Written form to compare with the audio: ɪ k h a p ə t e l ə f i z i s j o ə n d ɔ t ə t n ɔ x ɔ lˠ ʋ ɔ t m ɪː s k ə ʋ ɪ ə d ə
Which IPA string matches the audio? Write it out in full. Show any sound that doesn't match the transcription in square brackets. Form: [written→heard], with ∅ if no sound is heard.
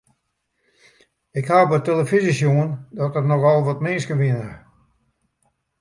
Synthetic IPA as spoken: ɪ k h a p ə t e l ə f i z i s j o ə n d ɔ t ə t n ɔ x ɔ lˠ ʋ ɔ t m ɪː s k ə ʋ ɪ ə [d→n] ə